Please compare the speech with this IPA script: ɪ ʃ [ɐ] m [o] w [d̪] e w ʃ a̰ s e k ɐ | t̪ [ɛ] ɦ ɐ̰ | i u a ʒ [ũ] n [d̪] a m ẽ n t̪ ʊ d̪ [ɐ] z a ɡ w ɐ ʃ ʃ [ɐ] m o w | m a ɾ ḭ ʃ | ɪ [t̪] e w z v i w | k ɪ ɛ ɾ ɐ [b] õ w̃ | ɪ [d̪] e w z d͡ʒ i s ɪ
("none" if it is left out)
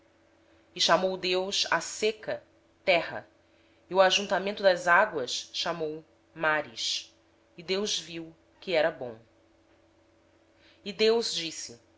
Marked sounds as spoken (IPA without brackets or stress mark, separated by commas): a, o, d̪, ɛ, ũ, t̪, ɐ, a, d̪, b, d̪